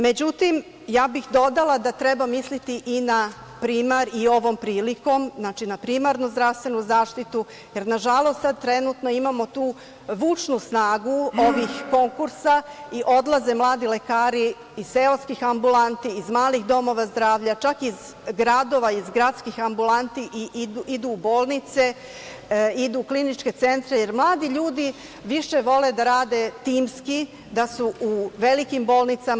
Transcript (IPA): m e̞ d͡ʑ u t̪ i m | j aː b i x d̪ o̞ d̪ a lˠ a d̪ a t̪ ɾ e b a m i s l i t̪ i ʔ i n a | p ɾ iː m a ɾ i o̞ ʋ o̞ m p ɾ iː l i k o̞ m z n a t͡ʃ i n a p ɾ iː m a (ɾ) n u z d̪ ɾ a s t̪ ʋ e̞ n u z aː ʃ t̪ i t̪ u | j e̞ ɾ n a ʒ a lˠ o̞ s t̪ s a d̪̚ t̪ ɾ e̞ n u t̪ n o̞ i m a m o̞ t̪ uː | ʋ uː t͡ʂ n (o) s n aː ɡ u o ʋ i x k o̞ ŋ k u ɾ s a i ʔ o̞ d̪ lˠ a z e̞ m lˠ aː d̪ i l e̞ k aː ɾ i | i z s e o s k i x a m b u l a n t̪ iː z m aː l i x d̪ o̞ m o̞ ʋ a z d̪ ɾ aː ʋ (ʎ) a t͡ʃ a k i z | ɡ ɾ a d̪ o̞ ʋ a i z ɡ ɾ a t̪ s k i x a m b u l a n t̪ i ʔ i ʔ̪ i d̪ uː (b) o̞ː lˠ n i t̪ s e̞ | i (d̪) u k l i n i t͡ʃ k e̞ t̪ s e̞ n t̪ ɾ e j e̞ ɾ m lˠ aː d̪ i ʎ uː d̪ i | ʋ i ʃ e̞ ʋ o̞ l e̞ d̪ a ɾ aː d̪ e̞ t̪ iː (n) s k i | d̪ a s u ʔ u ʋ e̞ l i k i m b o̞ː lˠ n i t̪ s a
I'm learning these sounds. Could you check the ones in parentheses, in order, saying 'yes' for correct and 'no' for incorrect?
yes, no, yes, yes, yes, no

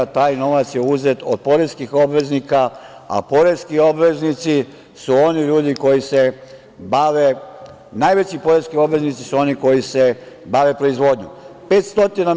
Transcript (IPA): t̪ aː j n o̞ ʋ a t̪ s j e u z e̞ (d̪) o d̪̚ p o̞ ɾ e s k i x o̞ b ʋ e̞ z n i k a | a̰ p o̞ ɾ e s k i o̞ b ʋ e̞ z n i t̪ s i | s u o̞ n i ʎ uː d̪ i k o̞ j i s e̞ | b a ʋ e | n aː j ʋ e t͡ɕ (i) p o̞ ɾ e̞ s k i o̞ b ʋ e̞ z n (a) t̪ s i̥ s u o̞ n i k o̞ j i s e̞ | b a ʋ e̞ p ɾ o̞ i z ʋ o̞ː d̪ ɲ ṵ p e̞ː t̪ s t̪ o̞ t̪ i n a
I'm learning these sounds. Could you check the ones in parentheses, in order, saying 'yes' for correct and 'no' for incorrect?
no, yes, no

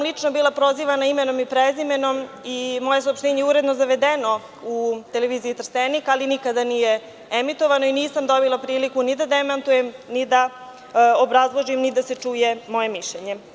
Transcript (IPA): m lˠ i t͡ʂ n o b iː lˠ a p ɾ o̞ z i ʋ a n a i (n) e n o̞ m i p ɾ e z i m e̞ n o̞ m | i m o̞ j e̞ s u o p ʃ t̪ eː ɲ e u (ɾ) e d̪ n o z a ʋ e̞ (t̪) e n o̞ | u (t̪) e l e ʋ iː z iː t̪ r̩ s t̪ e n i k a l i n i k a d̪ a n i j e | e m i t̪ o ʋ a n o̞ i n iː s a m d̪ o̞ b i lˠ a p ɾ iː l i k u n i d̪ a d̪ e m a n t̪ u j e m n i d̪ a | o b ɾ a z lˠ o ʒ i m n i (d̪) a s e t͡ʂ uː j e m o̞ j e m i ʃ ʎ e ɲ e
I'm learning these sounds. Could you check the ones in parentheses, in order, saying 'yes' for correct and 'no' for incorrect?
no, yes, no, yes, yes

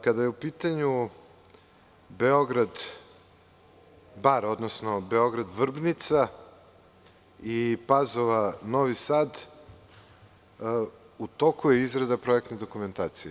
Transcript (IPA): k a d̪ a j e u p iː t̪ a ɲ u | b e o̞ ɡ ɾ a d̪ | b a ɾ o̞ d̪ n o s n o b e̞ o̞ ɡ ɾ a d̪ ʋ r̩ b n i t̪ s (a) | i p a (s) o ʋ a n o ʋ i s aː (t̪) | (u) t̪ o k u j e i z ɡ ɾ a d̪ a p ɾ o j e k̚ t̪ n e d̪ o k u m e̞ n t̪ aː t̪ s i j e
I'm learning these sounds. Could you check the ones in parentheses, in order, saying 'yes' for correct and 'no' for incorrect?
yes, no, no, yes

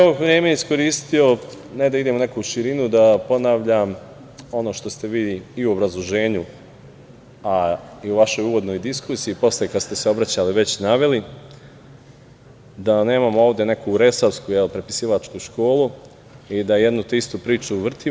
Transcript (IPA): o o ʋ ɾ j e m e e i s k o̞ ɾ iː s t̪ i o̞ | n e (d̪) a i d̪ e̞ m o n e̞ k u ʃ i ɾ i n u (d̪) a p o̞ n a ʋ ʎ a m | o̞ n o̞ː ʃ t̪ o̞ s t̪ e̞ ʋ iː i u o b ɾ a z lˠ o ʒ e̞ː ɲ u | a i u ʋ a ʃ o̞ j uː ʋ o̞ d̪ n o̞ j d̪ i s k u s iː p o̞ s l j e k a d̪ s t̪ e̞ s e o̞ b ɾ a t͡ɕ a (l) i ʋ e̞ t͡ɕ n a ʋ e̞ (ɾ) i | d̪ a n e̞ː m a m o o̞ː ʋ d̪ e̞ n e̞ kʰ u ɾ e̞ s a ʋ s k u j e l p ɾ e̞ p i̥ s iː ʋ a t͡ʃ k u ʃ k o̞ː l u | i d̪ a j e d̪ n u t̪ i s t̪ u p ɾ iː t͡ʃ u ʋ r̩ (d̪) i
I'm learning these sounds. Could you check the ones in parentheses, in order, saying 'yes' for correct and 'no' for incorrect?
yes, yes, yes, no, no

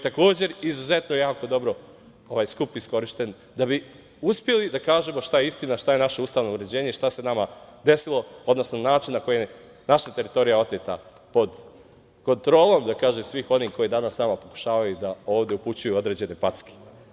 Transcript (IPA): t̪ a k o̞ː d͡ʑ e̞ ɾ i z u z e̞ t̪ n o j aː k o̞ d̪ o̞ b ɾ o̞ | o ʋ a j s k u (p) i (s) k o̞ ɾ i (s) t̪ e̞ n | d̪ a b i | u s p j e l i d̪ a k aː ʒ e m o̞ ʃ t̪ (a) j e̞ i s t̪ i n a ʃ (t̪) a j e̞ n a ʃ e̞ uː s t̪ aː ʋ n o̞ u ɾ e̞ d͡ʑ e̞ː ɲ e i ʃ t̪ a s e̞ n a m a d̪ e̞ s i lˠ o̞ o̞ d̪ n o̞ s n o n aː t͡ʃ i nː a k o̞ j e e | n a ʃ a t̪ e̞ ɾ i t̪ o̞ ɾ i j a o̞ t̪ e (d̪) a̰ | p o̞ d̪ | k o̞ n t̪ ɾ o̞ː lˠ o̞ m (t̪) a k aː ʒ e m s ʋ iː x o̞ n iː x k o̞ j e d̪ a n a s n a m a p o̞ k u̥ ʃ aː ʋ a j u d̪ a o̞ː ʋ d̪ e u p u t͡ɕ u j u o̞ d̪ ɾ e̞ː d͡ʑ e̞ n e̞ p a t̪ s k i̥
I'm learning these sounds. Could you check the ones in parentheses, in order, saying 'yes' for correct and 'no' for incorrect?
yes, yes, no, yes, yes, no, no

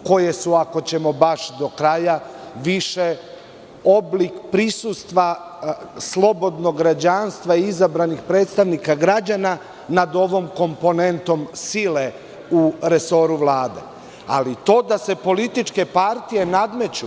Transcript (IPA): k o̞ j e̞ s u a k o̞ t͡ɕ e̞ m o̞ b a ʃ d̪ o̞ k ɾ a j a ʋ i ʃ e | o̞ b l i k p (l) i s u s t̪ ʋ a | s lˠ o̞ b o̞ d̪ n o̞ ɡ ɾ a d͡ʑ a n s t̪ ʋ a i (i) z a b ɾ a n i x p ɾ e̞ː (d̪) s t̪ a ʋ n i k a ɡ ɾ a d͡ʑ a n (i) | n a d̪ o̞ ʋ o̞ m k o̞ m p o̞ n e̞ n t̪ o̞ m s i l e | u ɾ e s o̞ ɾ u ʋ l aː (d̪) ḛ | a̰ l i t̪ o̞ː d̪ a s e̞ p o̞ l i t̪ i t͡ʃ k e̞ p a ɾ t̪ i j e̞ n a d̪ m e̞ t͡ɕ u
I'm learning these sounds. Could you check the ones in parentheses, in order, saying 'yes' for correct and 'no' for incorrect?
no, yes, no, no, yes

